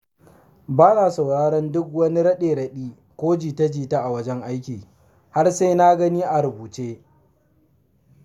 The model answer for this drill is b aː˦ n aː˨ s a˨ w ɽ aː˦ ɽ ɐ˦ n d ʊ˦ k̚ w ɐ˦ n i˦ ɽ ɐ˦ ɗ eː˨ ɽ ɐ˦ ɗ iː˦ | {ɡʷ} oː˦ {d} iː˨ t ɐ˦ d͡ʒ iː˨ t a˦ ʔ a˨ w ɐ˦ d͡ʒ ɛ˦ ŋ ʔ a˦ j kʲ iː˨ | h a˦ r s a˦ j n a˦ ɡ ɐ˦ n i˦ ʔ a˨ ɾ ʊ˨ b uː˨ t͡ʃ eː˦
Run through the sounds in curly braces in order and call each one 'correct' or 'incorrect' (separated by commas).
incorrect, incorrect